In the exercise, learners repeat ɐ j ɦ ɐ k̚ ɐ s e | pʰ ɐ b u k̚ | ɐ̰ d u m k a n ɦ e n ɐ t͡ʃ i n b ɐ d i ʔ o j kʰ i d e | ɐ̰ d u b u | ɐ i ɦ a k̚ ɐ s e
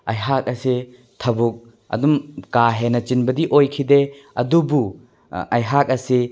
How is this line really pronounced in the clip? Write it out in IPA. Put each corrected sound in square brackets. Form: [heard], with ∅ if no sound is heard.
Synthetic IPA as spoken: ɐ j ɦ [a] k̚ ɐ s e | [tʰ] ɐ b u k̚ | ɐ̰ d u m k a [∅] ɦ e n ɐ t͡ʃ i n b ɐ d i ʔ o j kʰ i d e | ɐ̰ d u b u | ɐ [j] ɦ a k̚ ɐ s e